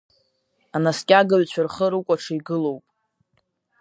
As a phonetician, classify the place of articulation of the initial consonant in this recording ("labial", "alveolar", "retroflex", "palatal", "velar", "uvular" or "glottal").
alveolar